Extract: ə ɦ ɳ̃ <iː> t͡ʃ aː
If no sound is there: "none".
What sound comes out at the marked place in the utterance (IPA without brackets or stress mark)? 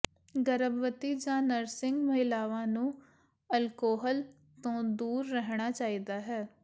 aː